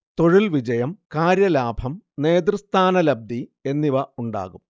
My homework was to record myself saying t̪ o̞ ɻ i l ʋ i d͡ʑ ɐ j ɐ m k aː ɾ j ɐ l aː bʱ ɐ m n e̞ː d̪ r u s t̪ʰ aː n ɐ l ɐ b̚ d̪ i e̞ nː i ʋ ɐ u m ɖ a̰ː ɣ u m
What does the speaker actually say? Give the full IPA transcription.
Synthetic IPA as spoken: t̪ o̞ ɻ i l ʋ i d͡ʑ ɐ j ɐ m k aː ɾ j ɐ l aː bʱ ɐ m n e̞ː d̪ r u s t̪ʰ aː n ɐ l ɐ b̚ d̪ i e̞ nː i ʋ ɐ u ɳ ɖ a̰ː ɣ u m